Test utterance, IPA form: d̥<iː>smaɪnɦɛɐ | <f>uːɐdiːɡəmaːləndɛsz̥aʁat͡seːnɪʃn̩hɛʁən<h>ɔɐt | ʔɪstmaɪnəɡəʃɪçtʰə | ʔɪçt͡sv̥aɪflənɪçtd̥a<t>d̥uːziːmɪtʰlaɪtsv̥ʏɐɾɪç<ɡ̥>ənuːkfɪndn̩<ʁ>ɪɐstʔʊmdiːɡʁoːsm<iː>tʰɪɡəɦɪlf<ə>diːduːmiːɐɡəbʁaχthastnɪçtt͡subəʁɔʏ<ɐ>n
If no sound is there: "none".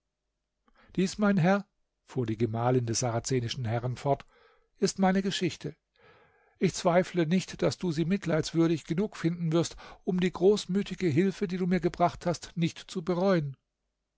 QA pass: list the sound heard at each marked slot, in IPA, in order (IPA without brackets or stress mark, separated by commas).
iː, f, f, s, ɡ̥, v, yː, ə, ə